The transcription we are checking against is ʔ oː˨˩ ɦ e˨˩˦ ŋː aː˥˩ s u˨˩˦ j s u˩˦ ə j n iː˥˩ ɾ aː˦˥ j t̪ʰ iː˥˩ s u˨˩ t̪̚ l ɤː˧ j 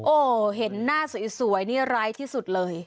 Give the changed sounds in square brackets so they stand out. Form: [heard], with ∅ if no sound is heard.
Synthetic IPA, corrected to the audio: ʔ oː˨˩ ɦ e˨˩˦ [nː] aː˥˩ s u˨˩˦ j s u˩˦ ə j n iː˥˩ ɾ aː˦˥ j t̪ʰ iː˥˩ s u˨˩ t̪̚ l ɤː˧ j